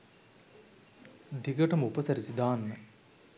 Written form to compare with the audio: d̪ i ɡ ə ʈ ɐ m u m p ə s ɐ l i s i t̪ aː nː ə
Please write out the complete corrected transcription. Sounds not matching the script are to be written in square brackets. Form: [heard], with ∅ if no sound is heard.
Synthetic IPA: d̪ i ɡ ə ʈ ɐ m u [∅] p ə s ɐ [ɾ] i s i [d̪] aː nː ə